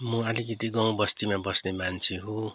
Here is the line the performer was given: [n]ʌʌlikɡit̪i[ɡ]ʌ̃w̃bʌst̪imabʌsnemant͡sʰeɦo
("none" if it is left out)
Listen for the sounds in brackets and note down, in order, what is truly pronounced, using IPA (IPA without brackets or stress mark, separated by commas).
m, ɡ